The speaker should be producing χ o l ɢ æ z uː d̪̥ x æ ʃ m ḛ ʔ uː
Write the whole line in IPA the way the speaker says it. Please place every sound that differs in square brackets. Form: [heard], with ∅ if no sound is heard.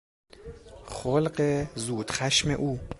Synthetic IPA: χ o l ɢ [e] z uː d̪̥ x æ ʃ m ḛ ʔ uː

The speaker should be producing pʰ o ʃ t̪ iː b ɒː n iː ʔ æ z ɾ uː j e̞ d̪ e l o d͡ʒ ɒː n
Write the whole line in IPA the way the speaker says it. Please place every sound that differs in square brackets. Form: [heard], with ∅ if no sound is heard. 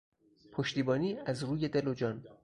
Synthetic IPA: pʰ o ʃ t̪ iː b ɒː n iː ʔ æ z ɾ uː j e̞ d̪ e l o d͡ʒ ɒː n

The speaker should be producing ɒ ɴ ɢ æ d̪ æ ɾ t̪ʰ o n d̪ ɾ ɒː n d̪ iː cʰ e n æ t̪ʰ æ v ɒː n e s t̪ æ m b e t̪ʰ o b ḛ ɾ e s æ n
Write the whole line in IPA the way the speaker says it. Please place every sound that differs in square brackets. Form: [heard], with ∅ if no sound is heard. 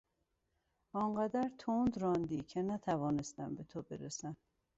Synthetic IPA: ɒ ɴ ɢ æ d̪ æ ɾ t̪ʰ o n d̪ ɾ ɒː n d̪ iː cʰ e n æ t̪ʰ æ v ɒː n e s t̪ æ m b e t̪ʰ o b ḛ ɾ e s æ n

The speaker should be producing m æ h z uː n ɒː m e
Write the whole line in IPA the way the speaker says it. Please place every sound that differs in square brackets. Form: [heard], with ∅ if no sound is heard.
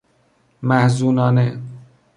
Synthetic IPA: m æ h z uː n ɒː [n] e

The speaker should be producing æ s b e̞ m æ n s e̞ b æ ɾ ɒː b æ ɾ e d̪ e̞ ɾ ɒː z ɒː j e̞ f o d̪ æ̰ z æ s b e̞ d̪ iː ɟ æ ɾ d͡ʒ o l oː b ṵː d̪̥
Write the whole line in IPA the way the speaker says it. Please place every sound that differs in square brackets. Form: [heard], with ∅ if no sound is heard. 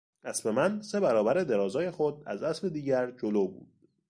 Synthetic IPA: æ s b e̞ m æ n s e̞ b æ ɾ ɒː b æ ɾ e d̪ e̞ ɾ ɒː z ɒː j e̞ [x] o d̪ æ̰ z æ s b e̞ d̪ iː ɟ æ ɾ d͡ʒ o l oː b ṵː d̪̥

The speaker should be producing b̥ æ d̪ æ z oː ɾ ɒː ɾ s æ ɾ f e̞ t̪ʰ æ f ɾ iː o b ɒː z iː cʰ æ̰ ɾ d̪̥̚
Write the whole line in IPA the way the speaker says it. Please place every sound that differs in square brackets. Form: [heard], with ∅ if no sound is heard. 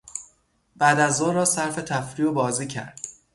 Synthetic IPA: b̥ æ d̪ æ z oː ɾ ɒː [∅] s æ ɾ f e̞ t̪ʰ æ f ɾ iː o b ɒː z iː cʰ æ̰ ɾ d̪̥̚

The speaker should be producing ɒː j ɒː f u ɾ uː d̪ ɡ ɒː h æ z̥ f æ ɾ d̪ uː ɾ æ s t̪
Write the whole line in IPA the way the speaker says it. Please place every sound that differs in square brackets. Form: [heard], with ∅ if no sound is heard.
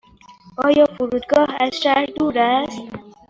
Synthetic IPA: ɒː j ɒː f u ɾ uː d̪ ɡ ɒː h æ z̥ [ʃ] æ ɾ d̪ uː ɾ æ s t̪

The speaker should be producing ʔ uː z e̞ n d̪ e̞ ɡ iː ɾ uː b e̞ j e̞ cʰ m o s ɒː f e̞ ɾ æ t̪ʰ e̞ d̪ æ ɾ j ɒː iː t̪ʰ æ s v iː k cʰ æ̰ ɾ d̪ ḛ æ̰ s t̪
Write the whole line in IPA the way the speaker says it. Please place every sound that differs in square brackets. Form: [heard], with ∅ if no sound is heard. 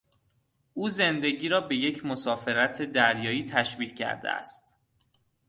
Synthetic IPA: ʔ uː z e̞ n d̪ e̞ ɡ iː ɾ [ɒː] b e̞ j e̞ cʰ m o s ɒː f e̞ ɾ æ t̪ʰ e̞ d̪ æ ɾ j ɒː iː t̪ʰ æ [ʃ] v iː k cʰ æ̰ ɾ d̪ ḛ æ̰ s t̪

